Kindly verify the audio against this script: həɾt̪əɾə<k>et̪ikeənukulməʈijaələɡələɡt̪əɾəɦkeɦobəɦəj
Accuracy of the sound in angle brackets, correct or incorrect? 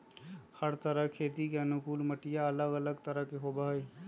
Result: incorrect: kʰ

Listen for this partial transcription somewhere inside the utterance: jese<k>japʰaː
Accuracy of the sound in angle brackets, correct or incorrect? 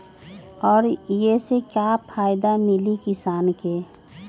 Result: correct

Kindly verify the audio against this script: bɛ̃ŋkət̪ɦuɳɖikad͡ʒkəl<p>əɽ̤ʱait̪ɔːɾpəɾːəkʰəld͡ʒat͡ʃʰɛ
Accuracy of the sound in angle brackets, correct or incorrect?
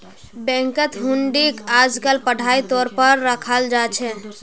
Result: correct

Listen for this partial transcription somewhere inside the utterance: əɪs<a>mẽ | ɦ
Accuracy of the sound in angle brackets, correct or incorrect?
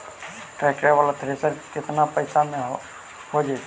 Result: correct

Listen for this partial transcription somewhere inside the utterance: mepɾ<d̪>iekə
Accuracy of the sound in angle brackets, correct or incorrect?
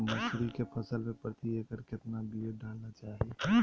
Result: incorrect: t̪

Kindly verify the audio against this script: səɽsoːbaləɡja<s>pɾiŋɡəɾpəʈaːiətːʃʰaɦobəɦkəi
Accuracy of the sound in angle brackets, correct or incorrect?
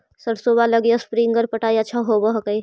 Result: correct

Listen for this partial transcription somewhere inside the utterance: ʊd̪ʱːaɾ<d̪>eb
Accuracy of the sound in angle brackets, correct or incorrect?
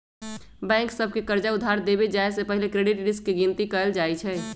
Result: correct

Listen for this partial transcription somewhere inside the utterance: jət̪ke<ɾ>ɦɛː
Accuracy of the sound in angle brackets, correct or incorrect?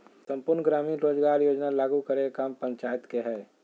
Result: incorrect: none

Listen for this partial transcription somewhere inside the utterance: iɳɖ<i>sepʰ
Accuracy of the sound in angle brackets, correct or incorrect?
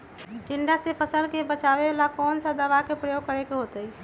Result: incorrect: a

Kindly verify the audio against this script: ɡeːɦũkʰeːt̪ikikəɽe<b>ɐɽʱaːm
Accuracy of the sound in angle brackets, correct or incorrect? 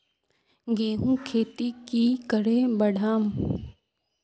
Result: correct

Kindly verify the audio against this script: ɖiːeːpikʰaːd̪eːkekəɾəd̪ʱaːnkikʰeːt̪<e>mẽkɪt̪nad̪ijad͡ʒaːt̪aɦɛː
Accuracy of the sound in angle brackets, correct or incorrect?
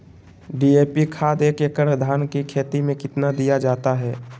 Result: incorrect: i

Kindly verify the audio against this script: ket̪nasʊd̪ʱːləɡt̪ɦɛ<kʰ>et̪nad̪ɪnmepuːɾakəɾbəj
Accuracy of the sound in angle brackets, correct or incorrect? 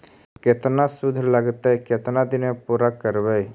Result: incorrect: k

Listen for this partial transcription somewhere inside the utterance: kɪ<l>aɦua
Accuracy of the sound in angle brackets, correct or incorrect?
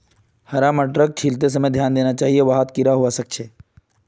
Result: incorrect: ɾ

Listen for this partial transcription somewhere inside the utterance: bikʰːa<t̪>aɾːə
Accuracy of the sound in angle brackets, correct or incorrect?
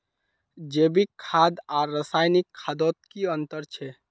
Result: incorrect: d̪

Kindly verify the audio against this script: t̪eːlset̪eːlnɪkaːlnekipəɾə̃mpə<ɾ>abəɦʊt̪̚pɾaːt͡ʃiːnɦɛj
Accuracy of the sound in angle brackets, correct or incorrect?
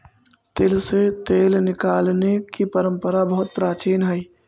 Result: correct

